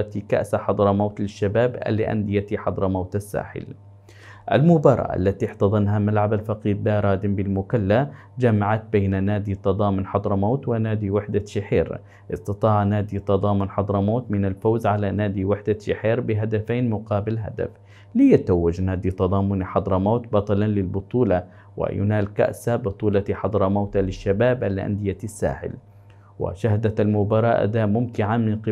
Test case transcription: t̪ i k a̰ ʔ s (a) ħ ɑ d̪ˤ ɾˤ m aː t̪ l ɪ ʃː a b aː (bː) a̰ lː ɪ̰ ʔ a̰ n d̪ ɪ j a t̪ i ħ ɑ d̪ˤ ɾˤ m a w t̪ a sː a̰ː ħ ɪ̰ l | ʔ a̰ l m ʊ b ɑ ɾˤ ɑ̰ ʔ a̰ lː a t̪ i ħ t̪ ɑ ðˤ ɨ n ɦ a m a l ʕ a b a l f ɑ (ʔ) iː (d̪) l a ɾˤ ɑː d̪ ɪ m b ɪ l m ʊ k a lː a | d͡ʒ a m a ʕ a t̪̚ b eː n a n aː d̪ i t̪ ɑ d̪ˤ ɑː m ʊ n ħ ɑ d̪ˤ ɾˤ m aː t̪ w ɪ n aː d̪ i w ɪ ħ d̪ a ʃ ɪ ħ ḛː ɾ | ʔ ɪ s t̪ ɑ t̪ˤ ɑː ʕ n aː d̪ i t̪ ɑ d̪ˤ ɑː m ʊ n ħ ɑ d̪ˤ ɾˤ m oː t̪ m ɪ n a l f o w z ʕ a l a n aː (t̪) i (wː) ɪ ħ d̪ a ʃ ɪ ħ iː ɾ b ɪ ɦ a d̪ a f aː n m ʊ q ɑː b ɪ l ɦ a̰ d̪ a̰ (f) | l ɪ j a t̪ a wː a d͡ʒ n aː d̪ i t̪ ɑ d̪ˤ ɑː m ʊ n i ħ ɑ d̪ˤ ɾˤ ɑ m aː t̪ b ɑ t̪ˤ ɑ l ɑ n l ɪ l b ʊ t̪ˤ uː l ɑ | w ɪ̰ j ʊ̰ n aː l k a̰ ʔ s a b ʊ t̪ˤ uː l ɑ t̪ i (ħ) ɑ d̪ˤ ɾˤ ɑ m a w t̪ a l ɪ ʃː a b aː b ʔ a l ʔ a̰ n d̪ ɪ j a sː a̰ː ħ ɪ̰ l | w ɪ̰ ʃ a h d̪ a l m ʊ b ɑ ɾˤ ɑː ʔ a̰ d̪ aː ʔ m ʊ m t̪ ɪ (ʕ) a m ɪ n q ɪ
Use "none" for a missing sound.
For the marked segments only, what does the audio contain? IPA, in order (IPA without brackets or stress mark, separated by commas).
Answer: a, b, q, d̪, d̪, w, f, ħ, ʕ